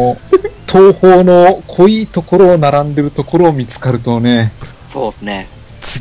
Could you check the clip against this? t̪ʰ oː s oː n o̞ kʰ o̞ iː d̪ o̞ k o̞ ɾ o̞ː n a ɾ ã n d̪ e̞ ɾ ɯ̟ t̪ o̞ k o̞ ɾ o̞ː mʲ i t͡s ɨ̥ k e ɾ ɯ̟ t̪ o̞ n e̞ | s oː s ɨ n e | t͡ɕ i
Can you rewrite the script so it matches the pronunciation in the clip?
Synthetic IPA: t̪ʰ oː h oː n o̞ kʰ o̞ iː t̪ o̞ k o̞ ɾ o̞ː n a ɾ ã n d̪ e̞ ɾ ɯ̟ t̪ o̞ k o̞ ɾ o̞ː mʲ i t͡s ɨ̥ k a ɾ ɯ̟ t̪ o̞ n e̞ | s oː s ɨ n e | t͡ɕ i